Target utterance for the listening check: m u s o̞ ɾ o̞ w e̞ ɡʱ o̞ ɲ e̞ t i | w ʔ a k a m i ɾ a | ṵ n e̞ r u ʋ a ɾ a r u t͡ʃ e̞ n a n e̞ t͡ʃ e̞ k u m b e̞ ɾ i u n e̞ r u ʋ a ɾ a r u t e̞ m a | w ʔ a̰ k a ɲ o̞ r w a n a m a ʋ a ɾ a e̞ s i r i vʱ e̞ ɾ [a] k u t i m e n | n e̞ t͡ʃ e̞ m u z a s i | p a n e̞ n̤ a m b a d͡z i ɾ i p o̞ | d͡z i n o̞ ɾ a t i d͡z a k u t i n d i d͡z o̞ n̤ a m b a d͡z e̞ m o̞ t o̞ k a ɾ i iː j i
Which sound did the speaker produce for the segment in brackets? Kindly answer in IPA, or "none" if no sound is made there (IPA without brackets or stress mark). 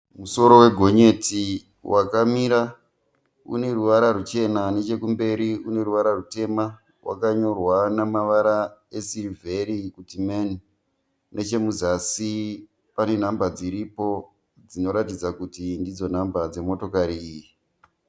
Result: i